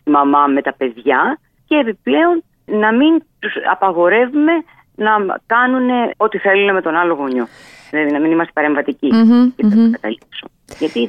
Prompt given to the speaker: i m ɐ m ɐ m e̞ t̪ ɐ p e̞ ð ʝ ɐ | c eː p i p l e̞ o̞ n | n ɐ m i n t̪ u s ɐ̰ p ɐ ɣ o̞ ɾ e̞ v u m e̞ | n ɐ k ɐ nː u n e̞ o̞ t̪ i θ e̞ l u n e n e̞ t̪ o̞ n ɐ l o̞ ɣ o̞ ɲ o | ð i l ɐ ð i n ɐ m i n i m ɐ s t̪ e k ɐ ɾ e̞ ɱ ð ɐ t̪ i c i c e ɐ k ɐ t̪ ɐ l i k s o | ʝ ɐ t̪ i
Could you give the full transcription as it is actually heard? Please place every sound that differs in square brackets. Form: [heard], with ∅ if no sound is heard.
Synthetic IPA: i m ɐ m ɐ m e̞ t̪ ɐ p e̞ ð ʝ ɐ | c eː p i p l e̞ o̞ n | n ɐ m i n t̪ u s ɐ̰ p ɐ ɣ o̞ ɾ e̞ v u m e̞ | n ɐ k ɐ [n] u n e̞ o̞ t̪ i θ e̞ l u n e [m] e̞ t̪ o̞ n ɐ l o̞ ɣ o̞ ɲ o | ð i l ɐ ð i n ɐ m i n i m ɐ s t̪ e [p] ɐ ɾ e̞ ɱ [v] ɐ t̪ i c i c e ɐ k ɐ t̪ ɐ l i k s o | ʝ ɐ t̪ i